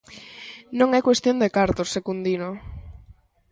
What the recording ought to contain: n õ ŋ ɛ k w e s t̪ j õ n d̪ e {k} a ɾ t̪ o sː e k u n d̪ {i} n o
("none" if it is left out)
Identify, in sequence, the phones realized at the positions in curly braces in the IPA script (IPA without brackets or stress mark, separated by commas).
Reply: k, i